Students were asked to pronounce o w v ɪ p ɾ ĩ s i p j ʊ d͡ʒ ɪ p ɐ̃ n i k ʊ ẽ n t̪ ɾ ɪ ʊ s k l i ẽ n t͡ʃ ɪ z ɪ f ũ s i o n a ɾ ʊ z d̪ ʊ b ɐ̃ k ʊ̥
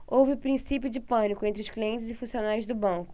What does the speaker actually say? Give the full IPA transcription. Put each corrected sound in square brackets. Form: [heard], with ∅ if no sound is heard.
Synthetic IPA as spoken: o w v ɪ p ɾ ĩ s i p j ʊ d͡ʒ ɪ p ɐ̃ n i k ʊ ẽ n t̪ ɾ ɪ ʊ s k l i ẽ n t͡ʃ ɪ z ɪ f ũ s i o n a ɾ ʊ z d̪ ʊ b ɐ̃ k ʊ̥